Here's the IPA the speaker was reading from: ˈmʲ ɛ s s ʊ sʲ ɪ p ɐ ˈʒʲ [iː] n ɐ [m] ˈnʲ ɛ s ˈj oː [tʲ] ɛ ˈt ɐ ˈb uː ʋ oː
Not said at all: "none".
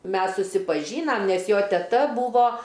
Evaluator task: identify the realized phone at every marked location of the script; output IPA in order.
iː, m, tʲ

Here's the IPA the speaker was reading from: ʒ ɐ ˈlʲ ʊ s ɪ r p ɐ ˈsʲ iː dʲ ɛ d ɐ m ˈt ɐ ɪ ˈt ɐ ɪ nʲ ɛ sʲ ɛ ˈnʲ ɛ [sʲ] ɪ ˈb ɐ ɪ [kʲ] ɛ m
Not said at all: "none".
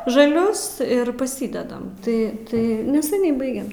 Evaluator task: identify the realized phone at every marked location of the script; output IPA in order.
none, ɡʲ

